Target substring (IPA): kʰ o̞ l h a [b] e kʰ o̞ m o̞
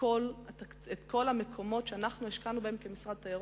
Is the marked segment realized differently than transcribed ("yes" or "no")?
yes